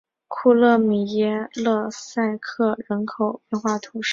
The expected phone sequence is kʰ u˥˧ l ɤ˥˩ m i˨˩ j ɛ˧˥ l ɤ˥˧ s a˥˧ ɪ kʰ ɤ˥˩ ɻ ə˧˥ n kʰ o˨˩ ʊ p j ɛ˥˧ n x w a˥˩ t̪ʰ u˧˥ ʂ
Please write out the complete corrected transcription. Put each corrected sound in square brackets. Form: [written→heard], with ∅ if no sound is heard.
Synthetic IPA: kʰ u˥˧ l ɤ˥˩ m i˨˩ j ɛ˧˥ l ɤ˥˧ s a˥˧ ɪ kʰ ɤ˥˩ ɻ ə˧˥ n kʰ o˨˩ ʊ p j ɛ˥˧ n x w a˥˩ t̪ʰ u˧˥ ʂ